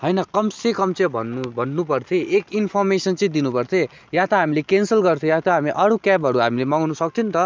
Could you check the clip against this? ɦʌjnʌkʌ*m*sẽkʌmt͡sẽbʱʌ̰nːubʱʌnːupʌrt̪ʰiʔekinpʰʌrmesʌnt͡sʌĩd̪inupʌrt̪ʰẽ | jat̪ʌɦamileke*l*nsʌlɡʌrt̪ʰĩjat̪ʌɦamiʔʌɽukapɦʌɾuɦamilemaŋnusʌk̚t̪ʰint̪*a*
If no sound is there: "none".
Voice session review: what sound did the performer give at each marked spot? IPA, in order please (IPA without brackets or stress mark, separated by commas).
m, none, ʌ